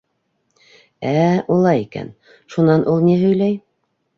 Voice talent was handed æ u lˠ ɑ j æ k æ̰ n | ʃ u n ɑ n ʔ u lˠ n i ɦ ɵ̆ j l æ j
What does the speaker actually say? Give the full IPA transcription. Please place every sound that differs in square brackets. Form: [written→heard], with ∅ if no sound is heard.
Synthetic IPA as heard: æ u lˠ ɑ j [æ→i] k æ̰ n | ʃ u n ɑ n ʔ u lˠ n i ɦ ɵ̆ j l æ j